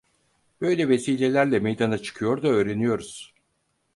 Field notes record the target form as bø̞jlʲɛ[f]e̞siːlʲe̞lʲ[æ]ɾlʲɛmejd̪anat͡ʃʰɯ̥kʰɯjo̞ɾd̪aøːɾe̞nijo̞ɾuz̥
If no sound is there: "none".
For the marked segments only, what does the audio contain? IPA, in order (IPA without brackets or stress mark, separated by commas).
v, æ